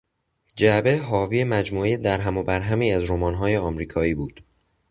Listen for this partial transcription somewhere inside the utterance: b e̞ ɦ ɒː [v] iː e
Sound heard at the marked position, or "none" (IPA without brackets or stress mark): v